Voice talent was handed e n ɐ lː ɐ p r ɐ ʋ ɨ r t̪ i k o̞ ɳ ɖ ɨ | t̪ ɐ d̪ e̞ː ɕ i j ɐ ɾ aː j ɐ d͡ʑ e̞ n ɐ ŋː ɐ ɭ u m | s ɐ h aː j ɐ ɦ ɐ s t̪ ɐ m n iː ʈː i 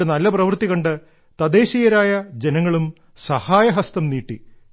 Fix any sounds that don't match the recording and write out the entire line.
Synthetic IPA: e n ɐ lː ɐ p r ɐ ʋ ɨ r t̪ i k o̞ ɳ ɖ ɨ | t̪ ɐ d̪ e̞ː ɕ i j ɐ ɾ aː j ɐ d͡ʑ e̞ n ɐ ŋː ɐ ɭ u m | s ɐ h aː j ɐ ɦ ɐ s t̪ ɐ m n iː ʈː i

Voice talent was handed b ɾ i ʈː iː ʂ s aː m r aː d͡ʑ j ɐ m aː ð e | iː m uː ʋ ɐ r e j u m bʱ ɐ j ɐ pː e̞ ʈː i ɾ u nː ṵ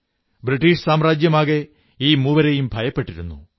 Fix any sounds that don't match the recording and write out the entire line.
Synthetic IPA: b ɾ i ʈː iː ʂ s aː m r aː d͡ʑ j ɐ m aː ɣ e | iː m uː ʋ ɐ ɾ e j u m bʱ ɐ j ɐ pː e̞ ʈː i ɾ u nː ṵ

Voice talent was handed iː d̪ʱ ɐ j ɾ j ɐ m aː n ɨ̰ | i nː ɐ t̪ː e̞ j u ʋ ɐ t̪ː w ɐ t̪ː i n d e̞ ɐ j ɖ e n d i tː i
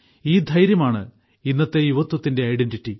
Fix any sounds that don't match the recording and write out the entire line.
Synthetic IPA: iː d̪ʱ ɐ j ɾ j ɐ m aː ɳ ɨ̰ | i nː ɐ t̪ː e̞ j u ʋ ɐ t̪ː w ɐ t̪ː i n d e̞ ɐ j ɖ e n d i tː i

